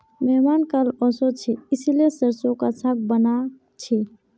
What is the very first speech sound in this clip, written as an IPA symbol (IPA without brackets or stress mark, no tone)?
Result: m